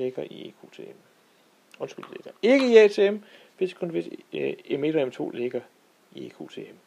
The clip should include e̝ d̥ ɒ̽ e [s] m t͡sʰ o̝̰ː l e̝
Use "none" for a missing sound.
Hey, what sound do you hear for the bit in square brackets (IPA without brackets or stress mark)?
none